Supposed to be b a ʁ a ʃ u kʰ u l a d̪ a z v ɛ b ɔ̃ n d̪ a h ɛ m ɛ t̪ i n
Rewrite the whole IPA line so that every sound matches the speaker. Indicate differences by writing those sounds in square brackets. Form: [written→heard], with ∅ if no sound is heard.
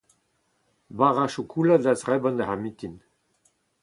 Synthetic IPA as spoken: b a ʁ a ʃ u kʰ u l a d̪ a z [v→ʁ] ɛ b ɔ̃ n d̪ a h [ɛ→a] m [ɛ→i] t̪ i n